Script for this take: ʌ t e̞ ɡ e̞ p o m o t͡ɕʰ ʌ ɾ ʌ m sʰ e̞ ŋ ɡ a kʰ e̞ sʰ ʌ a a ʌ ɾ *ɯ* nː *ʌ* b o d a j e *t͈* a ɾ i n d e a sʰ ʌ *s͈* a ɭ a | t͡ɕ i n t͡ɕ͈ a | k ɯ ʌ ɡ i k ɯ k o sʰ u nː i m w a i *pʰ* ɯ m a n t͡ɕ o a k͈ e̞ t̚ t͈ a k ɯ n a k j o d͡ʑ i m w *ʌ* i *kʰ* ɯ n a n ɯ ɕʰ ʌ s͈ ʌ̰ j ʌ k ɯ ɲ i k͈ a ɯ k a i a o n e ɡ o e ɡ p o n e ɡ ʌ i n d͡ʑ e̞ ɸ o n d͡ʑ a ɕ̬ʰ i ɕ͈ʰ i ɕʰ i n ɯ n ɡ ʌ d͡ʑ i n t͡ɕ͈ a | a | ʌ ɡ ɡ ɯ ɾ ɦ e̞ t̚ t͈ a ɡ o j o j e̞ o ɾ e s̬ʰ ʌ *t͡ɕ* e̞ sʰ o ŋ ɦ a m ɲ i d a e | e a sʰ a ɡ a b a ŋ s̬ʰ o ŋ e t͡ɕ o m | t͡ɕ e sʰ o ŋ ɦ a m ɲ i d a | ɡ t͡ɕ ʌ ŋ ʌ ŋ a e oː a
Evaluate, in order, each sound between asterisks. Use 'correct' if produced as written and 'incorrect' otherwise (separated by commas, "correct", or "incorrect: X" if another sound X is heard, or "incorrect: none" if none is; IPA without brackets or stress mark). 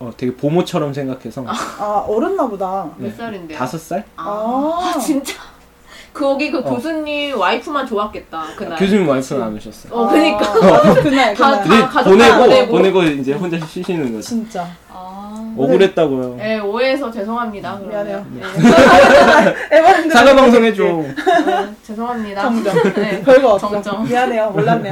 correct, incorrect: a, incorrect: s͈, correct, correct, incorrect: a, incorrect: pʰ, correct